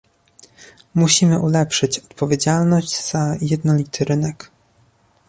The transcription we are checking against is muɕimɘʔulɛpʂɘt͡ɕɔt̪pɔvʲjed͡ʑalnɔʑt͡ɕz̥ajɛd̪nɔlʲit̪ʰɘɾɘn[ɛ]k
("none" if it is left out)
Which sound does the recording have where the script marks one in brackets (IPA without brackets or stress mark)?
ɛ